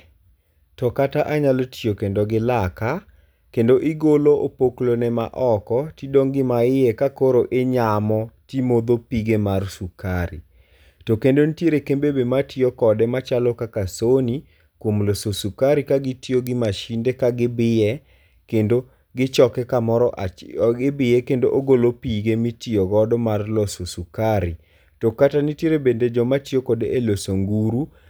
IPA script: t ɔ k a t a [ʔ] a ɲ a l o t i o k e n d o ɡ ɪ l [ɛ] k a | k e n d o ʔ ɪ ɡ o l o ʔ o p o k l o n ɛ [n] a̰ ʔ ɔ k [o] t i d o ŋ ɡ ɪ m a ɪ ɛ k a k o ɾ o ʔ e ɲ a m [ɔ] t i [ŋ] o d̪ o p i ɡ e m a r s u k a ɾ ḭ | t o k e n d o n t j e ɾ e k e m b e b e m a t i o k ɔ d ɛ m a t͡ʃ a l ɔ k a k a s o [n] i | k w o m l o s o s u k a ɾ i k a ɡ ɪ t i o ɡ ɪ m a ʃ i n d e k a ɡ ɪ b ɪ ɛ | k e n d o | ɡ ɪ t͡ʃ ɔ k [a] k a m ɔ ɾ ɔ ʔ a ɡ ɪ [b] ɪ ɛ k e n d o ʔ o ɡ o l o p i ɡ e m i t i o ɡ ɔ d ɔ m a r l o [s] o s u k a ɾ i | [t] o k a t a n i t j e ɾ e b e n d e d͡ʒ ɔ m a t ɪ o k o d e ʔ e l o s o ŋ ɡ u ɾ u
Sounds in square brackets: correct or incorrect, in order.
correct, incorrect: a, incorrect: m, incorrect: ɔ, correct, incorrect: m, correct, incorrect: ɛ, correct, correct, correct

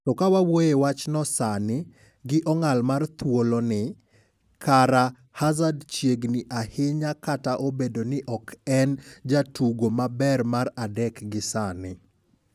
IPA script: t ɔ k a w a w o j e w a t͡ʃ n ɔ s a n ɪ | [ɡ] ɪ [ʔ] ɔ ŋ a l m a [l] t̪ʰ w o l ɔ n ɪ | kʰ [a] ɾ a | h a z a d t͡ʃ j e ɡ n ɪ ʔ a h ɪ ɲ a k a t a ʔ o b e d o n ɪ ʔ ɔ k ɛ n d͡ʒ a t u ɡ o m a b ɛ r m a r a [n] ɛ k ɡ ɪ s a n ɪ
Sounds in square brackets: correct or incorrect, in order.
correct, correct, incorrect: r, correct, incorrect: d

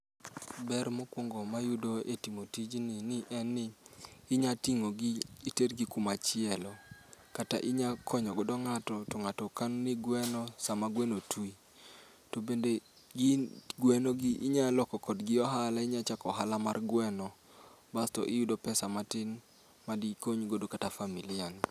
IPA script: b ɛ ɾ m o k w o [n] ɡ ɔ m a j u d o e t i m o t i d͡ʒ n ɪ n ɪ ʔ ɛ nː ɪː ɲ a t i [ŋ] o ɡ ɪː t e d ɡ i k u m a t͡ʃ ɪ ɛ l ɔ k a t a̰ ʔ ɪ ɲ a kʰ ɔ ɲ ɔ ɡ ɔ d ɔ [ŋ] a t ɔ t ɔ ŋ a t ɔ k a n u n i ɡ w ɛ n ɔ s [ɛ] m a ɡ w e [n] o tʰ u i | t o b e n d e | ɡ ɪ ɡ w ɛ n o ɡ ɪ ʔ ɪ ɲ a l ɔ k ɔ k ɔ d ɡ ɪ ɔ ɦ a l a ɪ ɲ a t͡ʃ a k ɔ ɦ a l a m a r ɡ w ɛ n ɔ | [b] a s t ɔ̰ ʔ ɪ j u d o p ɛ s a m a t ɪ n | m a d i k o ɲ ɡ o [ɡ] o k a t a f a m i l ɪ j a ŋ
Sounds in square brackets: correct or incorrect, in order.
incorrect: ŋ, correct, correct, incorrect: a, correct, correct, incorrect: d

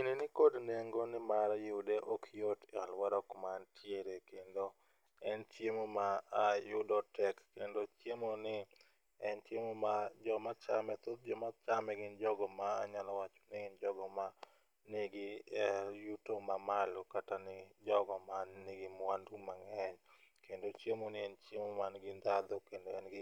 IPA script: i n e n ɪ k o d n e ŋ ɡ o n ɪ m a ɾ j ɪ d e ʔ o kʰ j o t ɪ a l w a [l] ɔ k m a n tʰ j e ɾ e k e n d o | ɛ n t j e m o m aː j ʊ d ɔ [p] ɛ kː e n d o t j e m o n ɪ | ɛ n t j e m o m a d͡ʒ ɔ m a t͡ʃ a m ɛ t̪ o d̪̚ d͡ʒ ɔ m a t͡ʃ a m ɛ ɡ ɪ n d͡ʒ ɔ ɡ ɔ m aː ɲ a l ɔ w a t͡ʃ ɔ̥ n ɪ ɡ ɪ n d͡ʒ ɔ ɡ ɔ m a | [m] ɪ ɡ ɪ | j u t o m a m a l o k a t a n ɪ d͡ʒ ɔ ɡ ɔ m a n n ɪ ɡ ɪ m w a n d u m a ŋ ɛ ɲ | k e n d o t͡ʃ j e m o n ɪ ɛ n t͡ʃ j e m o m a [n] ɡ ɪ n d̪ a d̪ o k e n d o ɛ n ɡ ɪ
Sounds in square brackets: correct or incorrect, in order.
incorrect: ɾ, incorrect: t, incorrect: n, correct

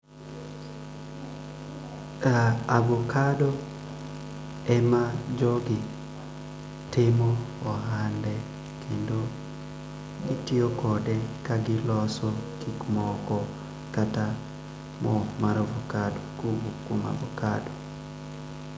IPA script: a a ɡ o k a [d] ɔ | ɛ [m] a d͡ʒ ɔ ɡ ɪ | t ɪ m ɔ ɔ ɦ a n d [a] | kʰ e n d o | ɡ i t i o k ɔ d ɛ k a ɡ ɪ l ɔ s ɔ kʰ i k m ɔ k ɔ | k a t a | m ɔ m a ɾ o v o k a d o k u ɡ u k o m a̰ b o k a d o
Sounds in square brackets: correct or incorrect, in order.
correct, correct, incorrect: ɛ

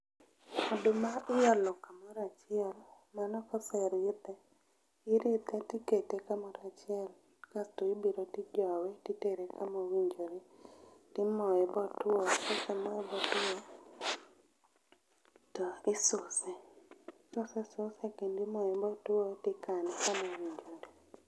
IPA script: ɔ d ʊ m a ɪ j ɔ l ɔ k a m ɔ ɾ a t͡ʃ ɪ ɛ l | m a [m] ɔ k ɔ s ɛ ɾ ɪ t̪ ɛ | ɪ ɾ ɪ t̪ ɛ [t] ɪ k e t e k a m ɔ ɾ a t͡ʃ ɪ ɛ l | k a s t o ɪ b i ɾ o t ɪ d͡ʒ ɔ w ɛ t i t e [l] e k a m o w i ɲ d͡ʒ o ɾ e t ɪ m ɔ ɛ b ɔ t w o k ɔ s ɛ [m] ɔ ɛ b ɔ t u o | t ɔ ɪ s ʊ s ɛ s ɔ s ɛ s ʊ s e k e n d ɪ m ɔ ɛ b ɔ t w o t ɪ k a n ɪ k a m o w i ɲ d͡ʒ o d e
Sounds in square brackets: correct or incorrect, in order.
incorrect: n, correct, incorrect: ɾ, correct

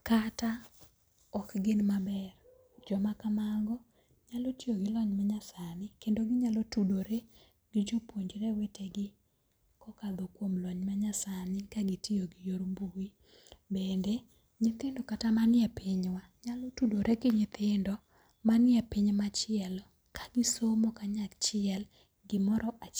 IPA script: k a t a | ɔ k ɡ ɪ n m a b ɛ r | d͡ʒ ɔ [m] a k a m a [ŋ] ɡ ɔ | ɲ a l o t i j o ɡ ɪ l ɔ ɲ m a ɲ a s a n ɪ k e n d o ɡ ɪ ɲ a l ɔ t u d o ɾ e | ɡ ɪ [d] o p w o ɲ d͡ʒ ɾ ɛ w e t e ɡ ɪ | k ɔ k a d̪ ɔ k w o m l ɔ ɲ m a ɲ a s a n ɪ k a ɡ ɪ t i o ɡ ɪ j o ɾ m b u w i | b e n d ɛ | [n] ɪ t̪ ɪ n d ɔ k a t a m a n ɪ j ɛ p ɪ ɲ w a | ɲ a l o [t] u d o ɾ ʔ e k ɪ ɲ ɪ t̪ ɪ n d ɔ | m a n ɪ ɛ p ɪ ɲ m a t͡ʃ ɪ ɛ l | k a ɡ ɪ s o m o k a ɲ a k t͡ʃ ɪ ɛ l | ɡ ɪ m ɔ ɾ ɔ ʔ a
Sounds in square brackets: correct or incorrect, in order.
correct, correct, incorrect: d͡ʒ, incorrect: ɲ, correct

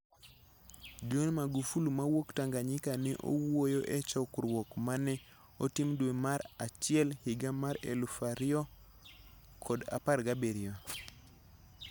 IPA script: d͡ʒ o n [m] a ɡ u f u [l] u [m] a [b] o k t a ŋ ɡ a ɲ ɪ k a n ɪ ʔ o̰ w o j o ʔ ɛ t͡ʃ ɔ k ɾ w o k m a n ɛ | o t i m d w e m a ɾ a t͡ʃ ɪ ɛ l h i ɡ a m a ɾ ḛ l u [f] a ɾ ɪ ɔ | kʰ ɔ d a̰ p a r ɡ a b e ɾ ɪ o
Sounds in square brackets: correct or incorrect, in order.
correct, correct, correct, incorrect: w, correct

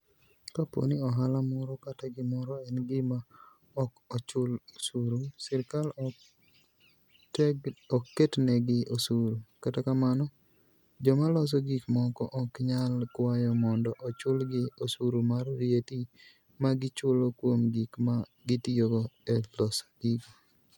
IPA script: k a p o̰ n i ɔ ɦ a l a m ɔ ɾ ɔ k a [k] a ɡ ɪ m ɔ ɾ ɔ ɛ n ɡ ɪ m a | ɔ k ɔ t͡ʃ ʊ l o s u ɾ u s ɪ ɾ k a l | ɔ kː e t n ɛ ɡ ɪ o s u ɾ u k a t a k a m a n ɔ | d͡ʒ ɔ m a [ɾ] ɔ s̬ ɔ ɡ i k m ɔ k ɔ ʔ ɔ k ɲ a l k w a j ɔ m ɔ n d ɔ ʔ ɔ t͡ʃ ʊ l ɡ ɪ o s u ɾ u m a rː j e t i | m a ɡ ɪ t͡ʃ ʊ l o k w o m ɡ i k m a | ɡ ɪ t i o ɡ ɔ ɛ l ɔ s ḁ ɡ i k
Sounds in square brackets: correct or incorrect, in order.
incorrect: t, incorrect: l

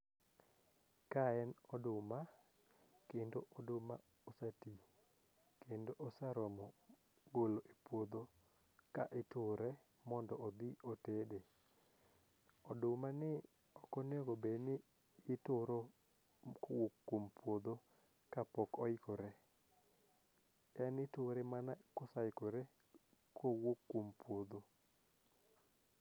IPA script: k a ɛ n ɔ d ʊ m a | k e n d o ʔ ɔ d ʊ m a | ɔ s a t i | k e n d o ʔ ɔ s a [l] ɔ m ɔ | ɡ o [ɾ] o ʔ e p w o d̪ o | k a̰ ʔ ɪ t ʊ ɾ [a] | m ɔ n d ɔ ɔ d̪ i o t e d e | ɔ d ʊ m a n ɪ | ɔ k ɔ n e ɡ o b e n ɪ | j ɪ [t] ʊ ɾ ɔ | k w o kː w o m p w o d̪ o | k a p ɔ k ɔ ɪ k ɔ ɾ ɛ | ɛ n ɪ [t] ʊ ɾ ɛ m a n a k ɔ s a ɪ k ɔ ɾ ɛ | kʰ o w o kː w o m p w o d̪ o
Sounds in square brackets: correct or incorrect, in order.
incorrect: ɾ, incorrect: l, incorrect: ɛ, correct, correct

